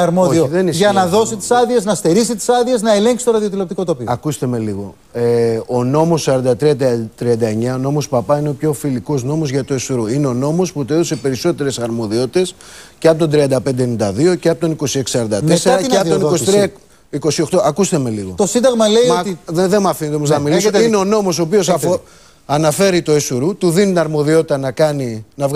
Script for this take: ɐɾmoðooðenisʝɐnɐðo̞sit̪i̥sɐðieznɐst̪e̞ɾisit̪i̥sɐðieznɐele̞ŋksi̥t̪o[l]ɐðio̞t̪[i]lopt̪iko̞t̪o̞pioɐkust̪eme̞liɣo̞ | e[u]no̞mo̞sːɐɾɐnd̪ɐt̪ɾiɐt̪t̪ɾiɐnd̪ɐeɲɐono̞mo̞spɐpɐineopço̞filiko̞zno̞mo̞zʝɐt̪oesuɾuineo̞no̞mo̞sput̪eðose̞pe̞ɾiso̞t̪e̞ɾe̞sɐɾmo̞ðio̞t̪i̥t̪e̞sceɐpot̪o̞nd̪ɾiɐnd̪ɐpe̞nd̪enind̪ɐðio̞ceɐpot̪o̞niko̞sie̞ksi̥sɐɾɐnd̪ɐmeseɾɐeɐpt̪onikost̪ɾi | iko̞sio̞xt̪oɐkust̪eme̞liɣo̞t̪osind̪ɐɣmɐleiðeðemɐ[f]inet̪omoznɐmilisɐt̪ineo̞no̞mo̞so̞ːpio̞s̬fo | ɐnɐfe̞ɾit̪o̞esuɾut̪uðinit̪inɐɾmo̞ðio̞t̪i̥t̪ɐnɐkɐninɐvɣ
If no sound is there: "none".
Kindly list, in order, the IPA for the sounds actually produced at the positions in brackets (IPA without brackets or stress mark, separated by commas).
ɾ, i, o, f